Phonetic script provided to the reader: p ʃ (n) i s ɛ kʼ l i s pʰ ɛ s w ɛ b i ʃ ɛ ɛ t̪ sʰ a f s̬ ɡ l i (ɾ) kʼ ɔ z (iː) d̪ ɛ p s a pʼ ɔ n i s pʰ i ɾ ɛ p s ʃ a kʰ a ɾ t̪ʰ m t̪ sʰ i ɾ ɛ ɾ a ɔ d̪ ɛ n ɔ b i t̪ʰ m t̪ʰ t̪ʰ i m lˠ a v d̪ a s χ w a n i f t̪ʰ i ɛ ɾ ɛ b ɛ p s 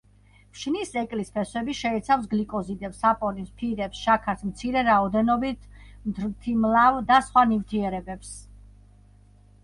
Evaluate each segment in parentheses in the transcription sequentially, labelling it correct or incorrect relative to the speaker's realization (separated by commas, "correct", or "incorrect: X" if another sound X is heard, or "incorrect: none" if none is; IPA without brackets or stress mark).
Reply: correct, incorrect: none, incorrect: i